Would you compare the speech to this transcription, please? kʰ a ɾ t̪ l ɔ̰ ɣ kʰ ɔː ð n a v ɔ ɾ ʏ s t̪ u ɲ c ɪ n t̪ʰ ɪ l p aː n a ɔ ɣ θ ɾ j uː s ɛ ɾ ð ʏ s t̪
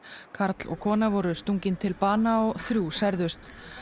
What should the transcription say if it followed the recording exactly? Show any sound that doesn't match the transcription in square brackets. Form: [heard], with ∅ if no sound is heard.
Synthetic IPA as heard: kʰ a ɾ t̪ l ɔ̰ ɣ kʰ ɔː [∅] n a v ɔ ɾ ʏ s t̪ u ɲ c ɪ n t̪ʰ ɪ l p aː n a ɔ ɣ θ ɾ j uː s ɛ ɾ ð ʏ s t̪